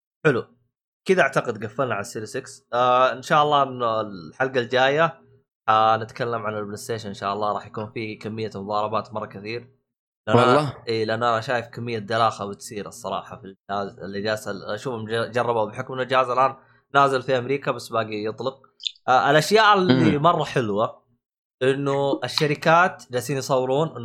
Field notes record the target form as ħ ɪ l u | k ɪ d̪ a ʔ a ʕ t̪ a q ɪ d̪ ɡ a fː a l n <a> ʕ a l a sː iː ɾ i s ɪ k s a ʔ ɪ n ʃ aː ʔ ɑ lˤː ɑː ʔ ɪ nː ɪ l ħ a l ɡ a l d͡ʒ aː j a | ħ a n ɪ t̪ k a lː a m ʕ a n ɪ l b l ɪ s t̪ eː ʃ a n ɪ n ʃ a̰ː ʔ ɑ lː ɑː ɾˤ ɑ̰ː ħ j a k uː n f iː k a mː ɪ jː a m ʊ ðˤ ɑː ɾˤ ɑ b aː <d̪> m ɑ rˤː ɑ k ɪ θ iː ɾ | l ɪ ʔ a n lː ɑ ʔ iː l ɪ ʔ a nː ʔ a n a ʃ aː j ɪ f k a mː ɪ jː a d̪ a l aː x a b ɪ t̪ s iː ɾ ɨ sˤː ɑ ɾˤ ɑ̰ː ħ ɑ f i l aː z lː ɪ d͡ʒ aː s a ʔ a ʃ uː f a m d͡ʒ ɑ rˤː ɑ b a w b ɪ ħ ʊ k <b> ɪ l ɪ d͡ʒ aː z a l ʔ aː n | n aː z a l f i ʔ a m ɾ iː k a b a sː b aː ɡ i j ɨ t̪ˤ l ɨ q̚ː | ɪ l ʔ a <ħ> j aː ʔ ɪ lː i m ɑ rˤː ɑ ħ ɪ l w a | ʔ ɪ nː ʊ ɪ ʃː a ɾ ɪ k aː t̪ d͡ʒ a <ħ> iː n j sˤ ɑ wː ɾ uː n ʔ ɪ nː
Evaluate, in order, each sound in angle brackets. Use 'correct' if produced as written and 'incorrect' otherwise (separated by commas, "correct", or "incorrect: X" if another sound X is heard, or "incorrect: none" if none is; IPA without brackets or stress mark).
correct, incorrect: t̪, incorrect: m, incorrect: ʃ, incorrect: s